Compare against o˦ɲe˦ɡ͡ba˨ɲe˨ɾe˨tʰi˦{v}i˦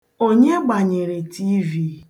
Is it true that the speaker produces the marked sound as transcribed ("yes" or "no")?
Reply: yes